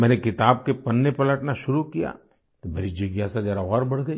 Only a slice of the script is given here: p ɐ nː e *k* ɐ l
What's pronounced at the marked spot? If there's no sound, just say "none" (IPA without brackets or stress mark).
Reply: p